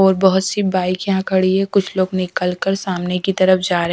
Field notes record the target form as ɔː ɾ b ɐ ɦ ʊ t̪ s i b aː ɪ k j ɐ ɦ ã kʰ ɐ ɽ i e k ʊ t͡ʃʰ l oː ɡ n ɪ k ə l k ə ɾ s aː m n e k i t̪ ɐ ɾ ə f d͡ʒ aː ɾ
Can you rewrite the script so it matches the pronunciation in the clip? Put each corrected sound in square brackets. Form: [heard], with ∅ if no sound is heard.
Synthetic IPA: ɔː ɾ b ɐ ɦ ʊ t̪ s i b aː ɪ k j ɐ ɦ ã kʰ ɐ ɽ i e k ʊ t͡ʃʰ l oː ɡ n ɪ k ə l k ə ɾ s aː m n e k i t̪ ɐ ɾ ə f d͡ʒ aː ɾ